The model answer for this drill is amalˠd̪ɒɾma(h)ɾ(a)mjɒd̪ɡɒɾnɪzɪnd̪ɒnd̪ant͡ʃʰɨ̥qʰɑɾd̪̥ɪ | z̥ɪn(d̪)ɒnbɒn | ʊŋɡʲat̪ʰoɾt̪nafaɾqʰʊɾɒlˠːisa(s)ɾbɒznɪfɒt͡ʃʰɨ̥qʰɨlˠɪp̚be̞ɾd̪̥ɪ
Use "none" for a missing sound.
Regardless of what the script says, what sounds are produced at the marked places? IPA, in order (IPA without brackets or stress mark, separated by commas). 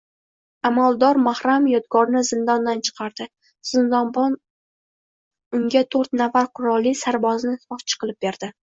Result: h, a, d̪, none